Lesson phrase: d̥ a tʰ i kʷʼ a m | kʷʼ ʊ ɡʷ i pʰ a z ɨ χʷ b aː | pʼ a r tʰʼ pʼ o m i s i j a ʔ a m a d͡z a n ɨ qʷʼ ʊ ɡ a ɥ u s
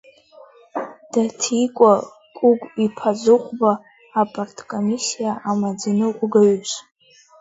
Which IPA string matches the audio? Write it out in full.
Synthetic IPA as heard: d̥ a tʰ i kʷʼ a | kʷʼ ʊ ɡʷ i pʰ a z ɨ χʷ b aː | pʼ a r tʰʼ kʼ o m i s i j a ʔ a m a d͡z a n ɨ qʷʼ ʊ ɡ a ɥ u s